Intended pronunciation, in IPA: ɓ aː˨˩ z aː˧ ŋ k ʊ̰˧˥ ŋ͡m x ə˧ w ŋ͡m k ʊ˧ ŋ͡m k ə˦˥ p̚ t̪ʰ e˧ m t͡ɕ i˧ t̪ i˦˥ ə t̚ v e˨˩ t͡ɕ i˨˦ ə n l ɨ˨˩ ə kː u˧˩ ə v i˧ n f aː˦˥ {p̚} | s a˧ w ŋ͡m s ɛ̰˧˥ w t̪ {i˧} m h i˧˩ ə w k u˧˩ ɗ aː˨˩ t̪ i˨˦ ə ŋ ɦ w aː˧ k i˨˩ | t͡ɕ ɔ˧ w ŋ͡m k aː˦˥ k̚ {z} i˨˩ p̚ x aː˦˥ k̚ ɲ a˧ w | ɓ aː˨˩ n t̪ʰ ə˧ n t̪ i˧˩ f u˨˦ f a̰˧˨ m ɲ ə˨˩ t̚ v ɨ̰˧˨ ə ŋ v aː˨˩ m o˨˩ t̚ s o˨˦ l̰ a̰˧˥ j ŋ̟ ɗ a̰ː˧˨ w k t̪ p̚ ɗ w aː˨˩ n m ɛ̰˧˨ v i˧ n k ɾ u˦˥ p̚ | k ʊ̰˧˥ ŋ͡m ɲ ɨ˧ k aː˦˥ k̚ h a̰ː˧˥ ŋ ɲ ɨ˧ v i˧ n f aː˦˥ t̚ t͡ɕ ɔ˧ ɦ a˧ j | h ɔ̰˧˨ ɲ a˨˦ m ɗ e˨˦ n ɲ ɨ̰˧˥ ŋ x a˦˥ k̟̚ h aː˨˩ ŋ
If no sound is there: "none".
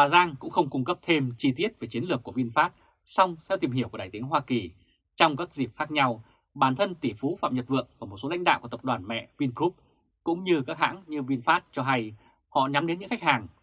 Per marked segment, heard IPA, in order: t̚, i˨˩, z

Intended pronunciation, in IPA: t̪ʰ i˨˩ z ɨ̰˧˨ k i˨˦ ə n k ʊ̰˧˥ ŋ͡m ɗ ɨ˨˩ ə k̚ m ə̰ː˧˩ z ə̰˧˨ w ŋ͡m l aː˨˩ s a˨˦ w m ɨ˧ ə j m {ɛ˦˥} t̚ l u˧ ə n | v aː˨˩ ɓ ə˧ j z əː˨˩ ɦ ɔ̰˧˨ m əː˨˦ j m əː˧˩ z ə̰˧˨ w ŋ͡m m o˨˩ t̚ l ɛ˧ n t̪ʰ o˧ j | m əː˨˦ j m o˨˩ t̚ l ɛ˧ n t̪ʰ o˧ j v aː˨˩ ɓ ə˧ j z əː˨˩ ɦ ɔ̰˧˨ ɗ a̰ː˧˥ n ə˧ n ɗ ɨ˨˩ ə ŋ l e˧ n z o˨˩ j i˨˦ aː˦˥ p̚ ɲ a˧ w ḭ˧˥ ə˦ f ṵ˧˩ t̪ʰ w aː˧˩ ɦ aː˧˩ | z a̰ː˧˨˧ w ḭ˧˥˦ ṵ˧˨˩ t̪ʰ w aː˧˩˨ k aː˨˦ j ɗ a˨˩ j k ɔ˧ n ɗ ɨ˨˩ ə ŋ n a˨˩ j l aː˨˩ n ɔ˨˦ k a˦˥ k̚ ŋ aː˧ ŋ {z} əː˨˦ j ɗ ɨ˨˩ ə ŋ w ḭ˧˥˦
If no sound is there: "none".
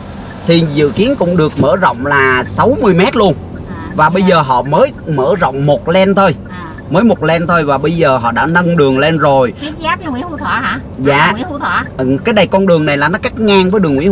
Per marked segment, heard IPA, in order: ɛ˦˥, v

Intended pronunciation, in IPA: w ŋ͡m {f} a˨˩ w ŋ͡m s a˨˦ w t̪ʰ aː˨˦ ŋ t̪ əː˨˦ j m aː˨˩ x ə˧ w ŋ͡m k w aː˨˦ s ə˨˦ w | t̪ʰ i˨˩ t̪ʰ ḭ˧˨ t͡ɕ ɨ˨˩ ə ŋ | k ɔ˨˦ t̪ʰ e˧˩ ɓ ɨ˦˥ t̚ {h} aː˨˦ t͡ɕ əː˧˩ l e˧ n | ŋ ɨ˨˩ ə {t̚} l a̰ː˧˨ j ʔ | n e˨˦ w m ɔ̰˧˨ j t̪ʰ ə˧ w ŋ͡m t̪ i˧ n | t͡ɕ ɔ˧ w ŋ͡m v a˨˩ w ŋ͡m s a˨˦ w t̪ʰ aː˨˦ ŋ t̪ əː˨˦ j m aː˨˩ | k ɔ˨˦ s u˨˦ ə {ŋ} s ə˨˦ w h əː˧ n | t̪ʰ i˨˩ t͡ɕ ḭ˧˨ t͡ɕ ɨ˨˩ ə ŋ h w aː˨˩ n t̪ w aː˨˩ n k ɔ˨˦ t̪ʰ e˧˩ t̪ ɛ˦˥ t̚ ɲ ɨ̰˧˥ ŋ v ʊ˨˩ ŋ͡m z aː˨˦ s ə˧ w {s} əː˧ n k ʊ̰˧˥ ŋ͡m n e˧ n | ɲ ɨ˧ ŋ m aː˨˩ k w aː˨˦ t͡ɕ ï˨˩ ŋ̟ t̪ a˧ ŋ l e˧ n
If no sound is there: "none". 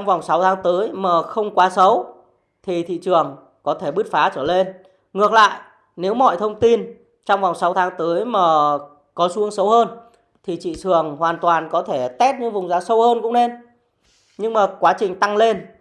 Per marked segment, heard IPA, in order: v, f, k̚, ŋ, h

